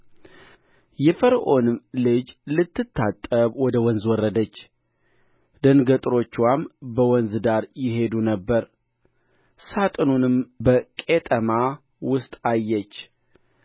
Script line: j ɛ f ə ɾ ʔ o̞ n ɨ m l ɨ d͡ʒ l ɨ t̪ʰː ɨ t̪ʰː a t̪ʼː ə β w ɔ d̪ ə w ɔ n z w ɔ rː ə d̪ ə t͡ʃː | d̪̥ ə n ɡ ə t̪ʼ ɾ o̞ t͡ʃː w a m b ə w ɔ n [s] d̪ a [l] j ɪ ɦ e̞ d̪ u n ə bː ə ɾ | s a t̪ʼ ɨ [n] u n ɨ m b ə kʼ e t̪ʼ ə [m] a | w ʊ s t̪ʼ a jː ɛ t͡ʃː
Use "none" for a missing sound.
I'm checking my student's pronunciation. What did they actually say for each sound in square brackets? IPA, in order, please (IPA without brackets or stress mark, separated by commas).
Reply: z, ɾ, n, m